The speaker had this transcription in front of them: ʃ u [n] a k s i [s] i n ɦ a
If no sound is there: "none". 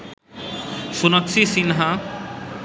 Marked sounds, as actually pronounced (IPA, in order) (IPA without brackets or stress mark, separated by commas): n, s